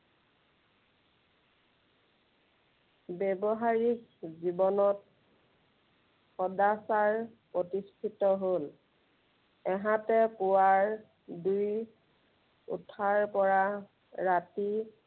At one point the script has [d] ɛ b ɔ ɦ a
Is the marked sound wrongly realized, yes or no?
yes